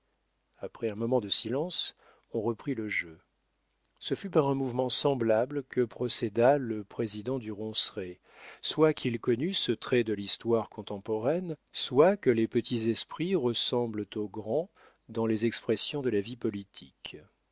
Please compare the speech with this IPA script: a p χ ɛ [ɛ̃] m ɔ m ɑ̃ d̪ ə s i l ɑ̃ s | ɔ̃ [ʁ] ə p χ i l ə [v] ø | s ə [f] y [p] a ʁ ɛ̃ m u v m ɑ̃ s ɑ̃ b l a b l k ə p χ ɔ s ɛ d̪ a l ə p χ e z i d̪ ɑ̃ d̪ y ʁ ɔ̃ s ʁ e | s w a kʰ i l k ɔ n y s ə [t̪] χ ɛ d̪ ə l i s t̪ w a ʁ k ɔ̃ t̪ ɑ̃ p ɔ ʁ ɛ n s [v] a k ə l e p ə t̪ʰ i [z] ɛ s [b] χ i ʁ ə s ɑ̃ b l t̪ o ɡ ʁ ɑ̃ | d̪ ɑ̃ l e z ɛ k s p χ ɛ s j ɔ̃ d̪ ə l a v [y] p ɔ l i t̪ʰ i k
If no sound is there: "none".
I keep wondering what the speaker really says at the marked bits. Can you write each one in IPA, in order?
ɛ̃, ʁ, ʒ, f, p, t̪, w, z, p, i

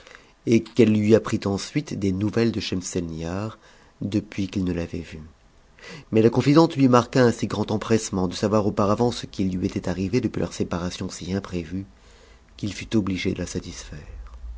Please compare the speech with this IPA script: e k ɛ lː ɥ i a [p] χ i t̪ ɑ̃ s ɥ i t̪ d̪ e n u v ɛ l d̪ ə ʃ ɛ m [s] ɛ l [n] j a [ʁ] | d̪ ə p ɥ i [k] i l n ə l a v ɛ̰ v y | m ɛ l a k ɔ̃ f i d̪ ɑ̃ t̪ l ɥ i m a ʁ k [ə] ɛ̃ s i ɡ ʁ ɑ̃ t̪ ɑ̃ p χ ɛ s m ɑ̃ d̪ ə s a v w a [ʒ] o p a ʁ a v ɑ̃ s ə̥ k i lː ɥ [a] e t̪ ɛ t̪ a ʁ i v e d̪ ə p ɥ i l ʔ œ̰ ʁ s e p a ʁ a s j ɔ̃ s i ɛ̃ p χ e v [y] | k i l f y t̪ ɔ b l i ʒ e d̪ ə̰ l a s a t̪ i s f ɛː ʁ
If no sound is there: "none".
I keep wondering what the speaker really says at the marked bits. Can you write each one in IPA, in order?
p, s, n, ʁ, k, a, ʁ, i, y

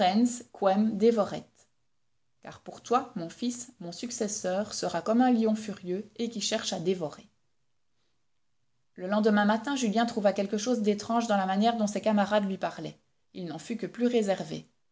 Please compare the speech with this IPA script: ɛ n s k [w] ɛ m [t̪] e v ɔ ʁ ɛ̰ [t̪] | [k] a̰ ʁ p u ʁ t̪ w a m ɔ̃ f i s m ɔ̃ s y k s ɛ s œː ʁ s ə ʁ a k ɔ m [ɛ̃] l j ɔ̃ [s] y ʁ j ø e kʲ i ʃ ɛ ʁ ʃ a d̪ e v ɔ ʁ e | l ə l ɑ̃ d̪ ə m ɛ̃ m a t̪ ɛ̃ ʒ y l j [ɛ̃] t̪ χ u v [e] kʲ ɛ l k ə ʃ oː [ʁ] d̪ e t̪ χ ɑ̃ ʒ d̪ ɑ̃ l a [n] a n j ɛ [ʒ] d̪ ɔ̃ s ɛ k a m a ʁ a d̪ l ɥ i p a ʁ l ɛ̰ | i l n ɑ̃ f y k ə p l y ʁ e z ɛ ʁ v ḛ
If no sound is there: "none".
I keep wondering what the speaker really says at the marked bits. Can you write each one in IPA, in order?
w, d̪, t̪, k, ɛ̃, f, ɛ̃, a, z, m, ʁ

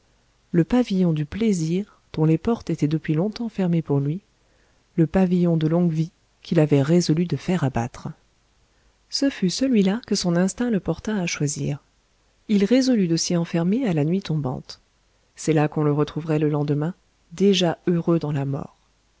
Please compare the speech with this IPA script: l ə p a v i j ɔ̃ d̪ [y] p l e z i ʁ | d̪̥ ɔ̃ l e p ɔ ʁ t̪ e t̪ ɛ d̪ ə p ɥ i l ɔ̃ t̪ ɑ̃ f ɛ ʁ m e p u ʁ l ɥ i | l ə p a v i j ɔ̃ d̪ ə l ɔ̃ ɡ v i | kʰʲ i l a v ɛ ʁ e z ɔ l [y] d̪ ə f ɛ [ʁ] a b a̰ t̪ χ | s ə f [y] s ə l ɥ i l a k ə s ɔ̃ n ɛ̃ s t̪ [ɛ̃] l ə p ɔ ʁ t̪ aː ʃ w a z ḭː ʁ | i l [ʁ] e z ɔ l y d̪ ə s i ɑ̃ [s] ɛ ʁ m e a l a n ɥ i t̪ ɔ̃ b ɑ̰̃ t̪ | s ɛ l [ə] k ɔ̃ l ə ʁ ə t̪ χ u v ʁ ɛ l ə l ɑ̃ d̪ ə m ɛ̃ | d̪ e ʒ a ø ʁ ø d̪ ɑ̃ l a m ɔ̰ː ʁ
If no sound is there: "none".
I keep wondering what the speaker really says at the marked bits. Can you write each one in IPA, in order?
y, y, ʁ, y, ɛ̃, ʁ, f, a

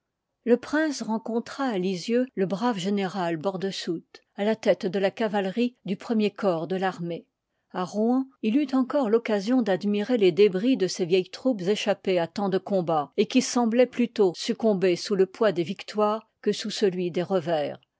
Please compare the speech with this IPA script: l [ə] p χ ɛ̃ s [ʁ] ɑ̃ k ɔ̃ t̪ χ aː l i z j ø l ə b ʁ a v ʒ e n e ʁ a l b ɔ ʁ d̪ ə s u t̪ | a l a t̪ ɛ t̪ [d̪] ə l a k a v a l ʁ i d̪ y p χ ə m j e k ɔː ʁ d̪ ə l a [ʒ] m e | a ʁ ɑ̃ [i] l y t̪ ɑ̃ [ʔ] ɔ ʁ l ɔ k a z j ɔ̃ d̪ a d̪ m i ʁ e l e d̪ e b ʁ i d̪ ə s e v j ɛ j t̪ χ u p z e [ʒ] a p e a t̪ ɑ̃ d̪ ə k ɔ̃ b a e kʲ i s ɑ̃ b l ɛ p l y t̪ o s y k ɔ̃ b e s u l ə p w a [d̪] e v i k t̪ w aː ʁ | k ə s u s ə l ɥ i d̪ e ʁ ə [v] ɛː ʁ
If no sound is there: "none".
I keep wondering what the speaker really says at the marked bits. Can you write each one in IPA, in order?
ə, ʁ, d̪, ʁ, i, k, ʃ, d̪, v

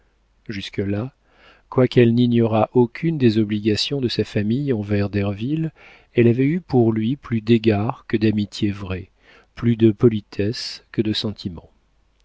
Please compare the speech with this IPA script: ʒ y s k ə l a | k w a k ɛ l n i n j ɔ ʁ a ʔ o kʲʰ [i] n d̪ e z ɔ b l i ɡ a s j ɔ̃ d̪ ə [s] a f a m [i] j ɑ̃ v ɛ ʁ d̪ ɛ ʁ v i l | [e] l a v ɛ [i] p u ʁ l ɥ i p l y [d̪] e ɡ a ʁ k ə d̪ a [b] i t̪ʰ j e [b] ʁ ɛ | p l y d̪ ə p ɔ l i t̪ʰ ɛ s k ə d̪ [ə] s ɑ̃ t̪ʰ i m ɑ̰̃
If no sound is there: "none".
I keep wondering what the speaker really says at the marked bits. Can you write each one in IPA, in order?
y, s, i, ɛ, y, d̪, m, v, ə

